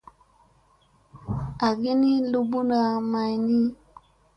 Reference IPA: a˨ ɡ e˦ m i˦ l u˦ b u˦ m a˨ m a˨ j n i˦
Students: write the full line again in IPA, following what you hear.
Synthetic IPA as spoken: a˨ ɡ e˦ n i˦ l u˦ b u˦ n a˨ m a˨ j n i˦